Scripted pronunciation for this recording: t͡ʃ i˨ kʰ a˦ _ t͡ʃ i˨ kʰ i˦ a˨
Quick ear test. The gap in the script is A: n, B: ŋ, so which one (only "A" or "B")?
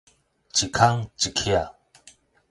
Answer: B